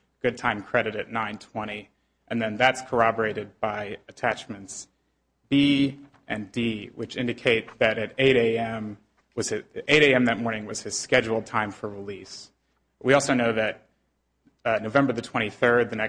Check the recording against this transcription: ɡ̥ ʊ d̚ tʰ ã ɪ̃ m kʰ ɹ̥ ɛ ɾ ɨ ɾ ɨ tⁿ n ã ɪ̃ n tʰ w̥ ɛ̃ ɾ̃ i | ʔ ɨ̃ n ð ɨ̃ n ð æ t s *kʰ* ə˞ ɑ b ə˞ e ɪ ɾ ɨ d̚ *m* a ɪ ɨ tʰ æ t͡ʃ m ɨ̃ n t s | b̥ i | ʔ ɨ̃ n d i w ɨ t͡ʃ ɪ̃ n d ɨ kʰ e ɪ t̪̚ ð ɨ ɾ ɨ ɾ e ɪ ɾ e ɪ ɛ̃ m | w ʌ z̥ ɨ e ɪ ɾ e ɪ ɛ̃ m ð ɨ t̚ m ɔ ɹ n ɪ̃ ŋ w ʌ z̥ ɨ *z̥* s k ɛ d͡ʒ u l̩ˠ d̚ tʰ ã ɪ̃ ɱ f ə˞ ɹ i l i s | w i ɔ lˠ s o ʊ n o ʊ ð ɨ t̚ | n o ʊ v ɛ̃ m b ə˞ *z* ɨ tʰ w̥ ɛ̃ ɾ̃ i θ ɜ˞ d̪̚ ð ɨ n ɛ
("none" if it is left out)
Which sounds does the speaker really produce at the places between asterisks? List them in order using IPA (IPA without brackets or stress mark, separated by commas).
kʰ, b, z̥, ð